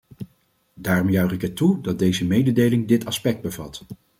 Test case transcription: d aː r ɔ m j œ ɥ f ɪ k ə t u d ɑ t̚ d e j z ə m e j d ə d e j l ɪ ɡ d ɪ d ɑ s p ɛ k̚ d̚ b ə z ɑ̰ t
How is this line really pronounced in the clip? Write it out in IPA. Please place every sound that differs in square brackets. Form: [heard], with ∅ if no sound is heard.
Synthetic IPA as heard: d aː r ɔ m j œ ɥ [χ] ɪ k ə t u d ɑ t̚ d e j z ə m e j d ə d e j l ɪ [ŋ] d ɪ [t] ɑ s p ɛ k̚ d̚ b ə [v] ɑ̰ t